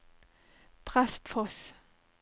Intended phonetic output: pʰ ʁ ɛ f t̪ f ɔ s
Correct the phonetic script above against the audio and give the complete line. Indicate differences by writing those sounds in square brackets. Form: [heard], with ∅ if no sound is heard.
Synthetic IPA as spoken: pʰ ʁ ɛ [s] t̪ f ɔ s